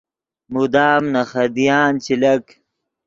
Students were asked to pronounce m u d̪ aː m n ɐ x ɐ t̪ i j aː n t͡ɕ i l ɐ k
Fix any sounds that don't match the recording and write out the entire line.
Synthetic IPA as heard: m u d̪ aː m n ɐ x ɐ d̪ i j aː n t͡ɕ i l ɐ k

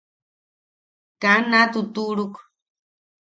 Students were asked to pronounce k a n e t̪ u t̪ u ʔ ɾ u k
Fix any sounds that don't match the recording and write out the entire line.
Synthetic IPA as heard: k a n a t̪ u t̪ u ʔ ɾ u k

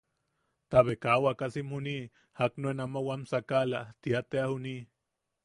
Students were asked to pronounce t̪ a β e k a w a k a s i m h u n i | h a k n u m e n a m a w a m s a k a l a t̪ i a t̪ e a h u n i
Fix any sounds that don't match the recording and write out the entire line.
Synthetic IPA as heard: t̪ a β e k a w a k a s i m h u n i | h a k n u e n a m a w a m s a k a l a t̪ i a t̪ e a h u n i

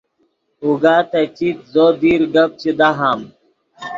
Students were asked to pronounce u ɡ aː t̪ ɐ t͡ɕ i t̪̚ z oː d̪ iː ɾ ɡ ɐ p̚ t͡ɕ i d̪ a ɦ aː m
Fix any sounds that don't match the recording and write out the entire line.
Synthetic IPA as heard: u ɡ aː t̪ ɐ t͡ɕ i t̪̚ z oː d̪ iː ɾ ɡ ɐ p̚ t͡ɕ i d̪ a ɦ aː m

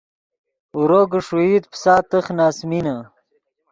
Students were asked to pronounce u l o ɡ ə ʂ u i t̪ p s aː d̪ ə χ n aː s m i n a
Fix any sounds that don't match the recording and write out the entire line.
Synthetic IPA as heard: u ɾ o ɡ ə ʂ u i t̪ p s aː t̪ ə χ n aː s m i n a

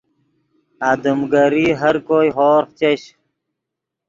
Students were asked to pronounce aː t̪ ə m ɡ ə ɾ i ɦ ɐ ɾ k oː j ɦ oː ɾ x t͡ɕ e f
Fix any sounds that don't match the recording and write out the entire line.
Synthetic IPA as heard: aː d̪ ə m ɡ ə ɾ i ɦ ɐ ɾ k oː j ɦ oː ɾ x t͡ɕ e ɕ

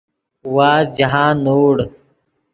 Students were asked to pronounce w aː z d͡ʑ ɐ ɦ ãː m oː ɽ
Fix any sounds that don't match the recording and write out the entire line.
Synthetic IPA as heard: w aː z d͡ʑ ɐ ɦ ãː n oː ɽ

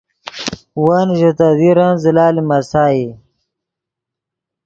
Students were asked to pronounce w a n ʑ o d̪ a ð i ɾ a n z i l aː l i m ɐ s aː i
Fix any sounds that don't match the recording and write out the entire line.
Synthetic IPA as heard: w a n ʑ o t̪ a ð i ɾ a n z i l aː l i m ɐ s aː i

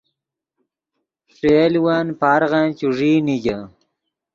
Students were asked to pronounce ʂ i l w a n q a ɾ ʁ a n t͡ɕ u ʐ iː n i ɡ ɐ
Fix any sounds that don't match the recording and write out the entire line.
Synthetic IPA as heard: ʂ e l w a n p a ɾ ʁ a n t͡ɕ u ʐ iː n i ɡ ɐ

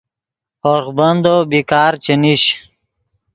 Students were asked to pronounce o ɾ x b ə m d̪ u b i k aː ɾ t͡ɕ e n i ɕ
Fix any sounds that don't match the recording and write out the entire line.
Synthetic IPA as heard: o ɾ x b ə n d̪ o b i k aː ɾ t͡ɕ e n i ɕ

